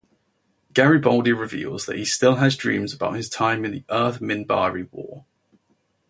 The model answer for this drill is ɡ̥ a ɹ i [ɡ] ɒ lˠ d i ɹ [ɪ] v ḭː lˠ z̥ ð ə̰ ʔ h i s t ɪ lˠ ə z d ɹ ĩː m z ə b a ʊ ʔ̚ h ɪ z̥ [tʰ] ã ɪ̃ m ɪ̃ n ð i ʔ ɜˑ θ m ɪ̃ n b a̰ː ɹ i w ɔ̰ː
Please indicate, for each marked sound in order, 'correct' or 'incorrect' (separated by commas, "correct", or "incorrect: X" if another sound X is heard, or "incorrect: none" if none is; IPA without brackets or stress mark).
incorrect: b, correct, correct